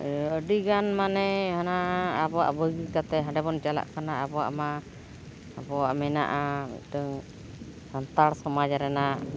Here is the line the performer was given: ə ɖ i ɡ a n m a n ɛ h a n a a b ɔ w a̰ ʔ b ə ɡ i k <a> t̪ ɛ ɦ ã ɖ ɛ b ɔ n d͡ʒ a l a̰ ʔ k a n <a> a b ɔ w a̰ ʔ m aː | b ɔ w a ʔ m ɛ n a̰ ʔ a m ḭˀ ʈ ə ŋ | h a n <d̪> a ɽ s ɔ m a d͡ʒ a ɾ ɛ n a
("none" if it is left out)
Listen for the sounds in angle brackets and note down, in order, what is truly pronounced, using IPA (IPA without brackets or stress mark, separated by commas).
a, a, t̪